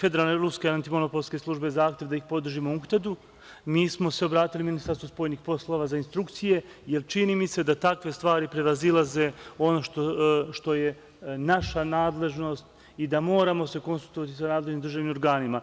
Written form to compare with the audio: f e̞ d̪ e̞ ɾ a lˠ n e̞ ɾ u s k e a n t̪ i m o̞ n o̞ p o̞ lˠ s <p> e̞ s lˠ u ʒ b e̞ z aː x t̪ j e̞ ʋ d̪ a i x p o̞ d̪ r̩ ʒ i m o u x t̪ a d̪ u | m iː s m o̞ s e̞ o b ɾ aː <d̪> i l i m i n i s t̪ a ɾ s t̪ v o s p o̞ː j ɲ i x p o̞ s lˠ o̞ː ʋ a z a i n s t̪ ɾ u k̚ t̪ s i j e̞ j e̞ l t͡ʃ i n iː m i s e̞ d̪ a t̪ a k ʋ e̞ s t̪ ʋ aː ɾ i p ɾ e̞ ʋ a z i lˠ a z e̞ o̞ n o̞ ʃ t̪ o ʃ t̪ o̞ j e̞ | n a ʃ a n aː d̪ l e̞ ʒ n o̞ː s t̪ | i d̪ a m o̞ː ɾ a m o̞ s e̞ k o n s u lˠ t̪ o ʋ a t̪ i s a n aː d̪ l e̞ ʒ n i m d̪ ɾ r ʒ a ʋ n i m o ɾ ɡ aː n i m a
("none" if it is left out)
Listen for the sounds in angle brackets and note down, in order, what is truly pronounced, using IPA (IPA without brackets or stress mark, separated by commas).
k, t̪